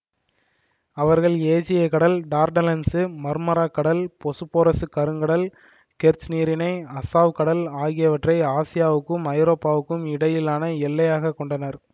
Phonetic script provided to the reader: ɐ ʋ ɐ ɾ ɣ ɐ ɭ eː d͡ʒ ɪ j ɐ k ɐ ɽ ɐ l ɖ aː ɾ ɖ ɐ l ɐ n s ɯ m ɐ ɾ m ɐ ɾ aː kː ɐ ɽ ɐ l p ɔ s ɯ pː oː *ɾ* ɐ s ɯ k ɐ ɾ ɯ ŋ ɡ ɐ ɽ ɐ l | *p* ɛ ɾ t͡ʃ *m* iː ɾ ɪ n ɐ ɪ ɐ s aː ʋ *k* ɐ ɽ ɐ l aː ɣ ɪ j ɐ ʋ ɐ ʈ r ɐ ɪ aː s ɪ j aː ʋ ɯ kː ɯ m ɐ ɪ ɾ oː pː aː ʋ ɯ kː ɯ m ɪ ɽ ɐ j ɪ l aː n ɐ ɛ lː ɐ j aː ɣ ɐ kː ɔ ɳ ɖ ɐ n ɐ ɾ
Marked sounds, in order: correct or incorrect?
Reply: correct, incorrect, incorrect, correct

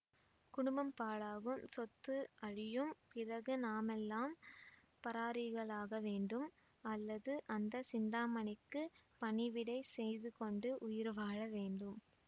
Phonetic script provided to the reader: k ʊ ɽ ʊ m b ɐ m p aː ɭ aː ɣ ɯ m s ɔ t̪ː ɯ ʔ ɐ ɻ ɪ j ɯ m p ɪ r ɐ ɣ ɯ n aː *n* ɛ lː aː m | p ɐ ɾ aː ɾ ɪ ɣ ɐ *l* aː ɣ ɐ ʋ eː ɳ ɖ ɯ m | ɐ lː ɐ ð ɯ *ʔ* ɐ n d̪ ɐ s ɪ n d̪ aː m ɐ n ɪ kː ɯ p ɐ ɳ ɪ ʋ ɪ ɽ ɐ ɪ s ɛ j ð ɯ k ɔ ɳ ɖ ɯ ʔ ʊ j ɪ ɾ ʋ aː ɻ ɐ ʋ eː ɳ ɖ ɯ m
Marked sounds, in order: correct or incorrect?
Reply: incorrect, incorrect, correct

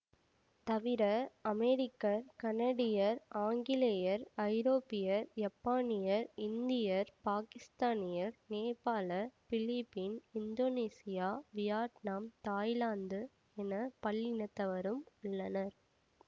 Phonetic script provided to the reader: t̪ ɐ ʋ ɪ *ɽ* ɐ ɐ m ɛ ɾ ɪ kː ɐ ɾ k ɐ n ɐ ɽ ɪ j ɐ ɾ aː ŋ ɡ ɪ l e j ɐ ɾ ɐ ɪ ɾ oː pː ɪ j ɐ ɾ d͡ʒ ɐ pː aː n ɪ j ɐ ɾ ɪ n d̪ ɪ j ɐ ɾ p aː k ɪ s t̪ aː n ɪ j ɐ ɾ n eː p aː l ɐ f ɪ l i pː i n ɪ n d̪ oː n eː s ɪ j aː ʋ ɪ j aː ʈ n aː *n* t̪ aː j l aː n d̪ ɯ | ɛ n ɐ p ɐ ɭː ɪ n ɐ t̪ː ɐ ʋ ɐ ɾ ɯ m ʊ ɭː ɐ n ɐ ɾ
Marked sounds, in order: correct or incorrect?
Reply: incorrect, incorrect

